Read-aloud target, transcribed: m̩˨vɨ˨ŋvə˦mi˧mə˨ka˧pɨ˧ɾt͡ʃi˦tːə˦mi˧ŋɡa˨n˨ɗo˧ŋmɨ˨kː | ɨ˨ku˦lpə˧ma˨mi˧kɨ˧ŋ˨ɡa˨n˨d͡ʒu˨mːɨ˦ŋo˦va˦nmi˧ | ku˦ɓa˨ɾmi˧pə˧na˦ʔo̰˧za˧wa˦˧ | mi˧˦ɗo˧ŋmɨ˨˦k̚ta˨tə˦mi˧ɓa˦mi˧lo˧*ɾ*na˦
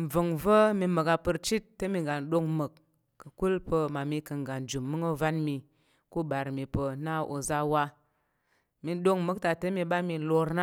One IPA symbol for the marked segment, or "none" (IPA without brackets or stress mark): ɾ